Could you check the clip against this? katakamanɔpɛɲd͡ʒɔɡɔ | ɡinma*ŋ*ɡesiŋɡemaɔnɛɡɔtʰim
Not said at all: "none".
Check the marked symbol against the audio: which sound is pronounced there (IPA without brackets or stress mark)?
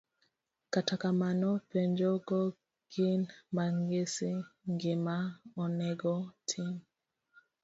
ŋ